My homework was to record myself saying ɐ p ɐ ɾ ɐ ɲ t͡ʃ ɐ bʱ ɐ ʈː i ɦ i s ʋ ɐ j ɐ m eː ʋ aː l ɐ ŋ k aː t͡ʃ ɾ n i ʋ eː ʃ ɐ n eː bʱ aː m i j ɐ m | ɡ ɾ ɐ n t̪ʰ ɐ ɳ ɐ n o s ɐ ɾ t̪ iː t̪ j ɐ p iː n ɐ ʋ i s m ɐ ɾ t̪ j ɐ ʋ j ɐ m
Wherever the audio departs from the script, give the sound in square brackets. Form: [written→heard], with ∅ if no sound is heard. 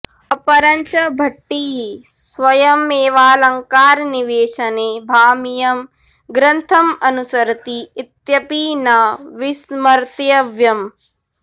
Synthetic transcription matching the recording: ɐ p ɐ ɾ ɐ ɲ t͡ʃ ɐ bʱ ɐ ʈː i ɦ i s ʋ ɐ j ɐ m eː ʋ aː l ɐ ŋ k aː [t͡ʃ→∅] ɾ n i ʋ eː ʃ ɐ n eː bʱ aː m i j ɐ m | ɡ ɾ ɐ n t̪ʰ ɐ [ɳ→m] ɐ n [o→u] s ɐ ɾ t̪ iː t̪ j ɐ p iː n ɐ ʋ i s m ɐ ɾ t̪ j ɐ ʋ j ɐ m